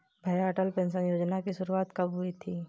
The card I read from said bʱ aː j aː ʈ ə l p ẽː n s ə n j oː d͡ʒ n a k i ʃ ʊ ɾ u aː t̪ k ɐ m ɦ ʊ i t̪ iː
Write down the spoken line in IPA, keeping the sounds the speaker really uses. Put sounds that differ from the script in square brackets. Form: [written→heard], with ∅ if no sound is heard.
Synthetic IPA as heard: bʱ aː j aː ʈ ə l p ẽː n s ə n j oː d͡ʒ n a k i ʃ ʊ ɾ u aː t̪ k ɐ [m→b] ɦ ʊ i [t̪→t̪ʰ] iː